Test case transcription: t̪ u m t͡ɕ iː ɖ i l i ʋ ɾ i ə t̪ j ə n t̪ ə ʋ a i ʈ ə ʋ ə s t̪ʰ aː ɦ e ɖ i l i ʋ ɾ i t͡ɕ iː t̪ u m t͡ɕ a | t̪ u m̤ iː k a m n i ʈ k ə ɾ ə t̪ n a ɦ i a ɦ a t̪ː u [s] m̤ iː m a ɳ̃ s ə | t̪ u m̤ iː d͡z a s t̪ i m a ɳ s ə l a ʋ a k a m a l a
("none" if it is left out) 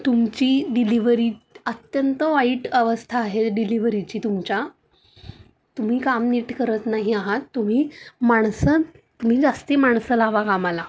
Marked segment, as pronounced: none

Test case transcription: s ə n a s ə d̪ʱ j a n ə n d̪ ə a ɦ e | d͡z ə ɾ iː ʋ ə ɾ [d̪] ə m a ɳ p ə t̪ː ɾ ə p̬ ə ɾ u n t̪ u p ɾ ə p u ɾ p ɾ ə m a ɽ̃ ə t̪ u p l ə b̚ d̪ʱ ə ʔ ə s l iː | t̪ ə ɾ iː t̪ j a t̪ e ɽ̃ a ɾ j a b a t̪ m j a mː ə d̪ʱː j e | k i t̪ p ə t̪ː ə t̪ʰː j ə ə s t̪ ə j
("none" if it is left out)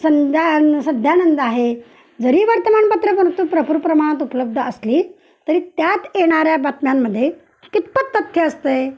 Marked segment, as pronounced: t̪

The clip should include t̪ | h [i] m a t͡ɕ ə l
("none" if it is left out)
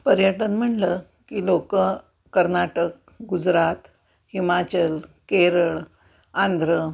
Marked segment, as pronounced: i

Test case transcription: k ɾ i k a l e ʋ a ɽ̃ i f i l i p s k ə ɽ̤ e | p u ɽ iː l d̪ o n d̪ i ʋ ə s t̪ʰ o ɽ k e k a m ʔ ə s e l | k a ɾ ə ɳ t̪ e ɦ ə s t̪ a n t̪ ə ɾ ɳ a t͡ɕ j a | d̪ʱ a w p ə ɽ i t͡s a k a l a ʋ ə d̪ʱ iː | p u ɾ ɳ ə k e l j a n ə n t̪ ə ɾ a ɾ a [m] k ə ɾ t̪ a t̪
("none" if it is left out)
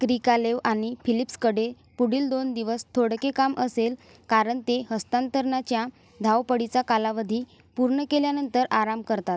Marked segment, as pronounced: m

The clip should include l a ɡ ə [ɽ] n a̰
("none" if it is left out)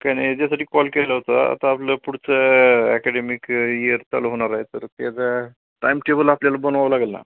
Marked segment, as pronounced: l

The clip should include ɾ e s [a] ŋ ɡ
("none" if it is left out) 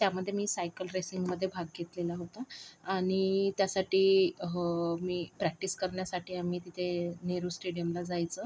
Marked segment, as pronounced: i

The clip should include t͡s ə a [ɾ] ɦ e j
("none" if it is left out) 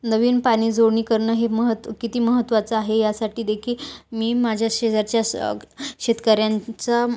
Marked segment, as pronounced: none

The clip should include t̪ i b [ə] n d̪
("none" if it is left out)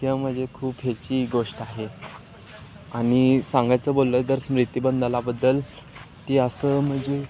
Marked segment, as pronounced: ə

